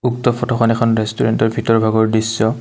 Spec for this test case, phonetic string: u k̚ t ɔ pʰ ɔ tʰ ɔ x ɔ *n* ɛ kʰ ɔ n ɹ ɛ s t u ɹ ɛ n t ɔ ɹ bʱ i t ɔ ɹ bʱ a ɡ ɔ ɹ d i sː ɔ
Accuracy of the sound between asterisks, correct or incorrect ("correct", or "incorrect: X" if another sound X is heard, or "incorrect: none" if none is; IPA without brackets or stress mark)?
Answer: correct